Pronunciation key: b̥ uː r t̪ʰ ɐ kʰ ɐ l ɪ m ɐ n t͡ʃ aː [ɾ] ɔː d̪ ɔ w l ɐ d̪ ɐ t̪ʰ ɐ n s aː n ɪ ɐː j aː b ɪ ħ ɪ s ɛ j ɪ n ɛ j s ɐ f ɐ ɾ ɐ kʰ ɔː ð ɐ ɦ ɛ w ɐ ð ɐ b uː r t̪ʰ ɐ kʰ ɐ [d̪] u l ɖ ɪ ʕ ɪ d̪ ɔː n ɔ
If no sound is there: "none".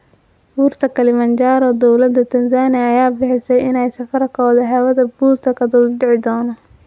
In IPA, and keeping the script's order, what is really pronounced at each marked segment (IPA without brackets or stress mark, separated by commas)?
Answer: ɾ, d̪